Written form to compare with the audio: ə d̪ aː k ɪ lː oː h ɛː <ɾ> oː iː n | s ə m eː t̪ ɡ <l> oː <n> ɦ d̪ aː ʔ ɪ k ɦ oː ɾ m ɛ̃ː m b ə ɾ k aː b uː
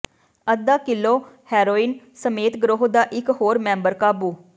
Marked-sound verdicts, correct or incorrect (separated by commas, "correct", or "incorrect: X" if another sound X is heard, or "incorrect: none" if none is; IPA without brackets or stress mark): correct, incorrect: ɾ, incorrect: none